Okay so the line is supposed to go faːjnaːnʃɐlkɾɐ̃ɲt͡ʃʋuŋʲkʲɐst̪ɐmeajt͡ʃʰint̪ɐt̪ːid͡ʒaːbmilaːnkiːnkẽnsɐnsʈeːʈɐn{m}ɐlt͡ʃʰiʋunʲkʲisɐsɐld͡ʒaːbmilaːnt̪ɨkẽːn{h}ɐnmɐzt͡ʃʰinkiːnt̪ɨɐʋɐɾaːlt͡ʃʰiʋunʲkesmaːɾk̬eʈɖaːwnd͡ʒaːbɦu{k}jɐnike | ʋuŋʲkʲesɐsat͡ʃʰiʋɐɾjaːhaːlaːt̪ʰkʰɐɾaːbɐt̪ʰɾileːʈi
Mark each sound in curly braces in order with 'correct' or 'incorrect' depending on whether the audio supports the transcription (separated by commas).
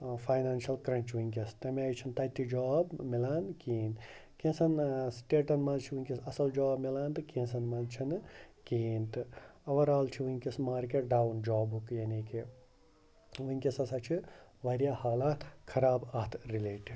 correct, incorrect, correct